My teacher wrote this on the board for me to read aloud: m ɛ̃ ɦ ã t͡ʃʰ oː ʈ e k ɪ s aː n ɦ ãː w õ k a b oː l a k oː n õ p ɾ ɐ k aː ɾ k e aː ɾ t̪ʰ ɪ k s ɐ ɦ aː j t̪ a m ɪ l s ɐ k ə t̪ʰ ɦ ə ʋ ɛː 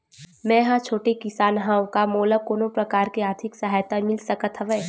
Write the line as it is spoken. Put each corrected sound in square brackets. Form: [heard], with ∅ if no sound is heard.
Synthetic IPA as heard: m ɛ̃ ɦ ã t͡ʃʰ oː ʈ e k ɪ s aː n ɦ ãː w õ k a [m] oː l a k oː n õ p ɾ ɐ k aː ɾ k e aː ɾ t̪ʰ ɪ k s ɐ ɦ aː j t̪ a m ɪ l s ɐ k ə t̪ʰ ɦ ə ʋ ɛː

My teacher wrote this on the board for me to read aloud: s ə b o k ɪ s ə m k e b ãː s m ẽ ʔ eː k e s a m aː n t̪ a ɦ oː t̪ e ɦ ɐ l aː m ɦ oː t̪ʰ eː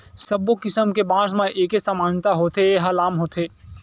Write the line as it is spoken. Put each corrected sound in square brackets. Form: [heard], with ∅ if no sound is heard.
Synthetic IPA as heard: s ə b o k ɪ s ə m k e b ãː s m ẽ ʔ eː k e s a m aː n t̪ a ɦ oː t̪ e ɦ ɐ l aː m ɦ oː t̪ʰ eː

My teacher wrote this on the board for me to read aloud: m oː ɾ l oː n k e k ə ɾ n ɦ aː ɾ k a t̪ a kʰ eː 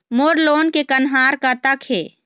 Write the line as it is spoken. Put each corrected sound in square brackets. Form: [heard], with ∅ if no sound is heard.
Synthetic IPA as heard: m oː ɾ l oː n k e k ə [∅] n ɦ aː ɾ k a t̪ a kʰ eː

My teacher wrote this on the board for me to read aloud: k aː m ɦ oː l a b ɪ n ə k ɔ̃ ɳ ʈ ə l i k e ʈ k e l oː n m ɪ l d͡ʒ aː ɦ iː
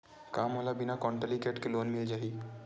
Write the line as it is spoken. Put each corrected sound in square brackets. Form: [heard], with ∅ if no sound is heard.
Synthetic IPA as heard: k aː m ɦ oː l a b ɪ n [a] k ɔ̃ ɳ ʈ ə l i k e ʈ k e l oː n m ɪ l d͡ʒ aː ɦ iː

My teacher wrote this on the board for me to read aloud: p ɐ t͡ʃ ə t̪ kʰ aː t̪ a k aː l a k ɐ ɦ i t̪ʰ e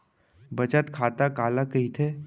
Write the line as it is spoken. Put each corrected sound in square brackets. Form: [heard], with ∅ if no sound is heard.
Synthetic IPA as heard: [b] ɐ t͡ʃ ə t̪ kʰ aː t̪ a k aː l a k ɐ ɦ i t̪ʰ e

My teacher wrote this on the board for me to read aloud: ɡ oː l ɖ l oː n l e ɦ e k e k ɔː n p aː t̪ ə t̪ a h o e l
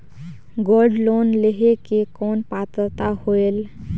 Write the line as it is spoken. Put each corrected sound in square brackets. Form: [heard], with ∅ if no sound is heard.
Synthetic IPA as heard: ɡ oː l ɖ l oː n l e ɦ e k e k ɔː n p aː t̪ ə t̪ a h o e l

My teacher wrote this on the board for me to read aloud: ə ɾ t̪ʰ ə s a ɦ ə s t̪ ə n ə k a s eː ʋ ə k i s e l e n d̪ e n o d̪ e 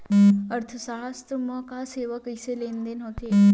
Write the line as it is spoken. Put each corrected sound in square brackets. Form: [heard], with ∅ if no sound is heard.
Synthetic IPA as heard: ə ɾ t̪ʰ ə s a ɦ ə s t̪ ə [m] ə k a s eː ʋ ə k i s e l e n d̪ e n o [t̪] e

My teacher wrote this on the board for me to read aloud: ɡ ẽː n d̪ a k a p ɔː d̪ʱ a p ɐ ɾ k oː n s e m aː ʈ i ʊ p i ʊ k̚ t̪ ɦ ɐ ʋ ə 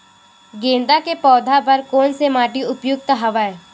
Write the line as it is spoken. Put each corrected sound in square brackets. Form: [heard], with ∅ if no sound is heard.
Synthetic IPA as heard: ɡ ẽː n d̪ a k [e] p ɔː d̪ʱ a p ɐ ɾ k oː n s e m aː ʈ i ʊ p [j] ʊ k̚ t̪ ɦ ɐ ʋ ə

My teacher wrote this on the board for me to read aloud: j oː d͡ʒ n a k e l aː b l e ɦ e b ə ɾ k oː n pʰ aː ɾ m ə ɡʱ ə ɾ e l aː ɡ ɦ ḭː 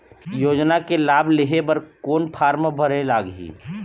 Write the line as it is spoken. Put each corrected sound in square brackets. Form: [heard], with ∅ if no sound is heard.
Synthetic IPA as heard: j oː d͡ʒ n a k e l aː b l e ɦ e b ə ɾ k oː n pʰ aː ɾ m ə [bʱ] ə ɾ e l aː ɡ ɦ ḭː

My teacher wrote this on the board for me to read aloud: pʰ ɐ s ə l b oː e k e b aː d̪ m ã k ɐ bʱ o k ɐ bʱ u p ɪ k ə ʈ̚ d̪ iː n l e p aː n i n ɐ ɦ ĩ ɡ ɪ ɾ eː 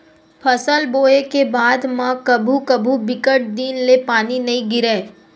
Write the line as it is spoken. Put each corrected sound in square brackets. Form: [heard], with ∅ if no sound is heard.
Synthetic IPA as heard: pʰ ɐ s ə l b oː e k e b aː d̪ m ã k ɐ bʱ [u] k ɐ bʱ u [b] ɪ k ə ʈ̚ d̪ iː n l e p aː n i n ɐ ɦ ĩ ɡ ɪ ɾ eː

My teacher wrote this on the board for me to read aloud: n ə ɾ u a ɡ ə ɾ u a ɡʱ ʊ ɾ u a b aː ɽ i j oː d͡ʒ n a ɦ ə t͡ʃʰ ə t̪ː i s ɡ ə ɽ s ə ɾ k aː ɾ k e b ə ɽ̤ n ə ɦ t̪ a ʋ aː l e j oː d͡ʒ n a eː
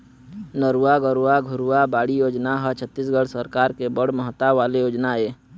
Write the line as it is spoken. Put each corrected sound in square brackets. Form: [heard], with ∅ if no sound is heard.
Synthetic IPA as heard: n ə ɾ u a ɡ ə ɾ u a ɡʱ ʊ ɾ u a b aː ɽ i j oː d͡ʒ n a ɦ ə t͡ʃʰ ə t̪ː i s ɡ ə ɽ s ə ɾ k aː ɾ k e b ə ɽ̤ [m] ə ɦ t̪ a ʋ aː l e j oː d͡ʒ n a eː

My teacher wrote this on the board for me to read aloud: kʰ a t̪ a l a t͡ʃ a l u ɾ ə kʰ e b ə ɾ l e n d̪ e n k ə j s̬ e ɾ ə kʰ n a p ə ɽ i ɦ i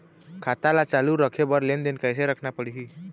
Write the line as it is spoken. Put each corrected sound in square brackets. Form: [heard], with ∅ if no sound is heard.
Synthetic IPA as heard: kʰ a t̪ a l a t͡ʃ a l u ɾ ə kʰ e b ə ɾ l e n d̪ e n k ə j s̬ e ɾ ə kʰ n a p ə ɽ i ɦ i

